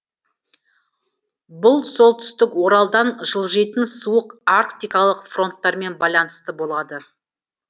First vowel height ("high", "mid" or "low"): high